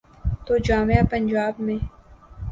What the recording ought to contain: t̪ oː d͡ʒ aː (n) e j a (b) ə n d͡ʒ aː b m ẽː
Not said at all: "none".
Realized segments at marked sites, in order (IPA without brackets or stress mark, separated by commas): m, p